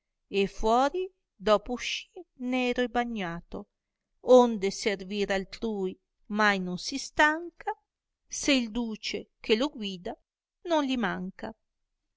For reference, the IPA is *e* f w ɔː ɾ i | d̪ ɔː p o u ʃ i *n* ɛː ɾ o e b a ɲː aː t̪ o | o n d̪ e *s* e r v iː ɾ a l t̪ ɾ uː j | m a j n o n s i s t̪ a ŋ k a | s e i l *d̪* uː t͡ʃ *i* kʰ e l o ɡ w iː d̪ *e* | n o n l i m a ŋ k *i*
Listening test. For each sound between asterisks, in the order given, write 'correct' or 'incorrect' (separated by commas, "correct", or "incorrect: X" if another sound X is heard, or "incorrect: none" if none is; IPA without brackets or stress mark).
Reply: correct, correct, correct, correct, incorrect: e, incorrect: a, incorrect: a